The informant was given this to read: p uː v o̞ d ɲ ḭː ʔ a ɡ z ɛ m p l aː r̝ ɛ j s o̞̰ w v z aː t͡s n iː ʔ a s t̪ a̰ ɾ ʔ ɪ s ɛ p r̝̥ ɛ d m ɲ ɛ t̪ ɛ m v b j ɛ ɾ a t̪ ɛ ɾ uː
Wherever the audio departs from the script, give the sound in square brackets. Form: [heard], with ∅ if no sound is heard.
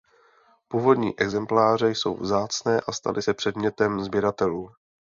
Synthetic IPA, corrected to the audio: p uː v o̞ d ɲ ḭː ʔ [ɛ] ɡ z ɛ m p l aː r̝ ɛ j s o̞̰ w v z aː t͡s n [ɛː] ʔ a s t̪ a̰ [l] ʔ ɪ s ɛ p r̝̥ ɛ d m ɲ ɛ t̪ ɛ m [z] b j ɛ ɾ a t̪ ɛ [l] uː

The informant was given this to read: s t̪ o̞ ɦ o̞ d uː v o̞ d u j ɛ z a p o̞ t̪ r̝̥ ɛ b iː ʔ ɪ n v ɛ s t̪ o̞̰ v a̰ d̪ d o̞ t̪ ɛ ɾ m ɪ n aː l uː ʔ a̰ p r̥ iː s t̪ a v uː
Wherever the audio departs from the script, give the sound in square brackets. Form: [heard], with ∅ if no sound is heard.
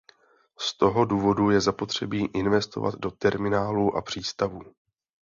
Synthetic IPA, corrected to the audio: s t̪ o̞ ɦ o̞ d uː v o̞ d u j ɛ z a p o̞ t̪ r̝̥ ɛ b iː ʔ ɪ n v ɛ s t̪ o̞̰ v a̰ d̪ d o̞ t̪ ɛ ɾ m ɪ n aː l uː ʔ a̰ p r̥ iː s t̪ a v uː

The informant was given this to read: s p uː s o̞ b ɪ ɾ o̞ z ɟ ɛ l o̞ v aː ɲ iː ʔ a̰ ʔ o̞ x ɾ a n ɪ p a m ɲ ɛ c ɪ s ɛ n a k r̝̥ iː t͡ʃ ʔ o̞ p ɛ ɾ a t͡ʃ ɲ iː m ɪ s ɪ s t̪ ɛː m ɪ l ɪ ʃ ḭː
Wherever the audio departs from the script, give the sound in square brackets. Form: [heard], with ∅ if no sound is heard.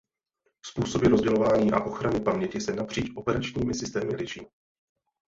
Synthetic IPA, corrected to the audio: s p uː s o̞ b ɪ ɾ o̞ z ɟ ɛ l o̞ v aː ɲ iː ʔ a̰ ʔ o̞ x ɾ a n ɪ p a m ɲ ɛ c ɪ s ɛ n a [p] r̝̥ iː t͡ʃ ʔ o̞ p ɛ ɾ a t͡ʃ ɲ iː m ɪ s ɪ s t̪ ɛː m ɪ l ɪ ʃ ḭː

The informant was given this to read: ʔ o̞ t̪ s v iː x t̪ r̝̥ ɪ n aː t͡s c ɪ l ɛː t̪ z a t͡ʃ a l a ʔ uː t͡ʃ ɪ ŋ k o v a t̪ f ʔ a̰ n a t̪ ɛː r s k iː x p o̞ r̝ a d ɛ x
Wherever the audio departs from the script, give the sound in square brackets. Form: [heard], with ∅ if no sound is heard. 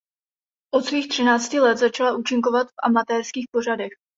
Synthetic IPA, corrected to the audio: ʔ o̞ t̪ s v iː x t̪ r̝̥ ɪ n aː t͡s c ɪ l [ɛ] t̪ z a t͡ʃ a l a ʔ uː t͡ʃ ɪ ŋ k o v a t̪ f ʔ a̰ [m] a t̪ ɛː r s k iː x p o̞ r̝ a d ɛ x

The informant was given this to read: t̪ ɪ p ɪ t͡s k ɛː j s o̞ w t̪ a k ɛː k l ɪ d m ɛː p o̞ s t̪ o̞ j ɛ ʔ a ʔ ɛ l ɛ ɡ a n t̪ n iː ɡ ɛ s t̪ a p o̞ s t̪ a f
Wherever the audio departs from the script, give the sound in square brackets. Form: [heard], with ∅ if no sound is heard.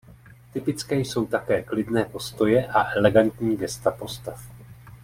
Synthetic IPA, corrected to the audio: t̪ ɪ p ɪ t͡s k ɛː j s o̞ w t̪ a k ɛː k l ɪ d [n] ɛː p o̞ s t̪ o̞ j ɛ ʔ a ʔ ɛ l ɛ ɡ a n t̪ [ɲ] iː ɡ ɛ s t̪ a p o̞ s t̪ a f

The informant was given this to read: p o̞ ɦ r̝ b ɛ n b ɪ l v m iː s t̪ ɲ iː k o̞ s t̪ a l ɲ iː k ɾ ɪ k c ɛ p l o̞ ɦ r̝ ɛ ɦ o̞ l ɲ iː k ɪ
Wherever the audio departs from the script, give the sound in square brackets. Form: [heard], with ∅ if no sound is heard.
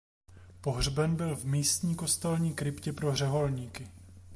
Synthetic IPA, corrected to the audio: p o̞ ɦ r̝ b ɛ n b ɪ l v m iː s t̪ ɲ iː k o̞ s t̪ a l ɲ iː k ɾ ɪ [p] c ɛ p [ɾ] o̞ ɦ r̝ ɛ ɦ o̞ l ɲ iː k ɪ

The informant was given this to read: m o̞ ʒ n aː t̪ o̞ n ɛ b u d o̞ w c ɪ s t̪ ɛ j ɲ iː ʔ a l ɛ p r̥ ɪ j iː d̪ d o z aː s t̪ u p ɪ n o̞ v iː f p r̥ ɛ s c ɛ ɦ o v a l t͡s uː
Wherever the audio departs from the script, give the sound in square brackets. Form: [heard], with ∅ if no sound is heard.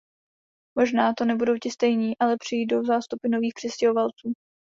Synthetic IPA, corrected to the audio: m o̞ ʒ n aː t̪ o̞ n ɛ b u d o̞ w c ɪ s t̪ ɛ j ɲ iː ʔ a l ɛ p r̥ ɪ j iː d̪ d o z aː s t̪ u p ɪ n o̞ v iː [x] p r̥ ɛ s c ɛ ɦ o v a l t͡s uː

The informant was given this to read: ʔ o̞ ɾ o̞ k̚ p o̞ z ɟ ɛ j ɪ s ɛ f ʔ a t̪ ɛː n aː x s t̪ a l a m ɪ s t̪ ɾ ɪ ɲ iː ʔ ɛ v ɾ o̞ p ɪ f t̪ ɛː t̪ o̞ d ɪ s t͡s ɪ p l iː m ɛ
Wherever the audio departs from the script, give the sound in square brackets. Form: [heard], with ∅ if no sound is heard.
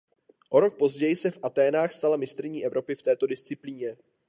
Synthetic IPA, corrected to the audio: ʔ o̞ ɾ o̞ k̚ p o̞ z ɟ ɛ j ɪ s ɛ f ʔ a t̪ ɛː n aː x s t̪ a l a m ɪ s t̪ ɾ ɪ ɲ iː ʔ ɛ v ɾ o̞ p ɪ f t̪ ɛː t̪ o̞ d ɪ s t͡s ɪ p l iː [ɲ] ɛ

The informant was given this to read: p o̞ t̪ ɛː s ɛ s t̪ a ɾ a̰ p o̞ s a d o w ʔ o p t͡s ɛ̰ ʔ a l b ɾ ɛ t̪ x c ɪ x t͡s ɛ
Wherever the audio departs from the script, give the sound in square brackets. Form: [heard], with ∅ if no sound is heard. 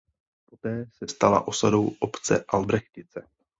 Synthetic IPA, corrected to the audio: p o̞ t̪ ɛː s ɛ s t̪ a [l] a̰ [ʔ] o̞ s a d o w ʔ o p t͡s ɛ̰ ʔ a l b ɾ ɛ [∅] x c ɪ [∅] t͡s ɛ

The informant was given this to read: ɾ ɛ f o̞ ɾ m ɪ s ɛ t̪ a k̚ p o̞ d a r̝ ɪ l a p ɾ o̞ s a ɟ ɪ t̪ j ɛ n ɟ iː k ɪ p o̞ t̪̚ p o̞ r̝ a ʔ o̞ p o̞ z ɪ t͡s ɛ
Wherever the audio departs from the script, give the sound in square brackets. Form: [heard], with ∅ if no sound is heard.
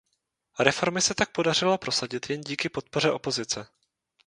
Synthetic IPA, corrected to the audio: ɾ ɛ f o̞ ɾ m ɪ s ɛ t̪ a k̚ p o̞ d a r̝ ɪ l a p ɾ o̞ s a ɟ ɪ t̪ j ɛ n ɟ iː k ɪ p o̞ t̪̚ p o̞ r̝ [ɛ] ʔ o̞ p o̞ z ɪ t͡s ɛ

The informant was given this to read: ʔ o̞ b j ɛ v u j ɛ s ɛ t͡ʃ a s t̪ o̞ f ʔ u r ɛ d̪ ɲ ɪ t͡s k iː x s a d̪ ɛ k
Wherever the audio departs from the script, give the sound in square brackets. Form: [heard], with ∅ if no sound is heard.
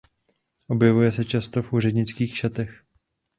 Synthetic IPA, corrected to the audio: ʔ o̞ b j ɛ v u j ɛ s ɛ t͡ʃ a s t̪ o̞ f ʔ [uː] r ɛ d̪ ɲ ɪ t͡s k iː x [ʃ] a [t̪] ɛ [x]

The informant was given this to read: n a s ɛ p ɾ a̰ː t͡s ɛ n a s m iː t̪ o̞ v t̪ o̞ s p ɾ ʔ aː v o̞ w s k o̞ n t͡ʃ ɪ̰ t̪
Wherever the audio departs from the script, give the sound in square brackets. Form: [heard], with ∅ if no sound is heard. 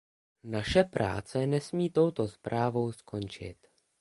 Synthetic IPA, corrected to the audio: n a [ʃ] ɛ p ɾ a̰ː t͡s ɛ n [ɛ] s m iː t̪ o̞ [w] t̪ o̞ s p ɾ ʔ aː v o̞ w s k o̞ n t͡ʃ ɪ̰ t̪

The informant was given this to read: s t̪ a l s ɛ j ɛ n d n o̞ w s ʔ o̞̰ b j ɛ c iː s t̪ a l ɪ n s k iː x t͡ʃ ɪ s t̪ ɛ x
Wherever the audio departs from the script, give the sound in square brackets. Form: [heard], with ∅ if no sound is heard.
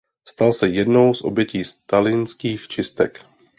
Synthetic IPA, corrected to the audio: s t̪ a l s ɛ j ɛ [∅] d n o̞ w s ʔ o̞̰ b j ɛ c iː s t̪ a l ɪ n s k iː x t͡ʃ ɪ s t̪ ɛ [k]

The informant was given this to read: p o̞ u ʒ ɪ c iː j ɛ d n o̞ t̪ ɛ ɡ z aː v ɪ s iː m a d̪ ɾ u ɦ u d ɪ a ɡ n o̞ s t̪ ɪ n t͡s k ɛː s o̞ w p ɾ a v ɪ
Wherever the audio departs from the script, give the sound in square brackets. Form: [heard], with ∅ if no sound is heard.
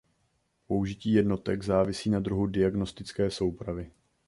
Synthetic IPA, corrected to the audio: p o̞ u ʒ ɪ c iː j ɛ d n o̞ t̪ ɛ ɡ z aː v ɪ s iː [n] a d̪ ɾ u ɦ u d ɪ a ɡ n o̞ s t̪ ɪ [∅] t͡s k ɛː s o̞ w p ɾ a v ɪ

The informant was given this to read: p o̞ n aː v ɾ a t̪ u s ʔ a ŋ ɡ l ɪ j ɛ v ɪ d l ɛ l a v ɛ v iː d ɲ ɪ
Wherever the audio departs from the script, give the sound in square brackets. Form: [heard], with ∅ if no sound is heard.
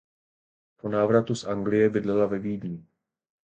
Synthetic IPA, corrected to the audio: p o̞ n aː v ɾ a t̪ u s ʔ a ŋ ɡ l ɪ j ɛ [b] ɪ d l ɛ l a v ɛ v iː d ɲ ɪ

